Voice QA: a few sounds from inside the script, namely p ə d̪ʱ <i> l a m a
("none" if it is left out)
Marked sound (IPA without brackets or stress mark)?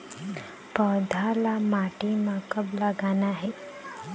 a